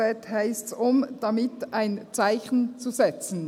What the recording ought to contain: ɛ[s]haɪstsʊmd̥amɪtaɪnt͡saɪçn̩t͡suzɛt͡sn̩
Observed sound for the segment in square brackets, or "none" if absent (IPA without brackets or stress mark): t